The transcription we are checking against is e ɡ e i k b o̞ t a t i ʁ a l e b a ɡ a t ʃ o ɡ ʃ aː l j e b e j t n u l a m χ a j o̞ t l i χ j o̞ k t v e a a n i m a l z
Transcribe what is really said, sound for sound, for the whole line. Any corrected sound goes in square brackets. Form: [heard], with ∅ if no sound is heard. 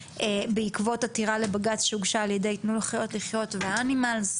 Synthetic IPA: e [b] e i k [v] o̞ t a t i ʁ a l e b a ɡ a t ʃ [u] ɡ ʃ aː l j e [d] e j t n u l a [∅] χ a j o̞ t l i χ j o̞ [∅] t v e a a n i m a l z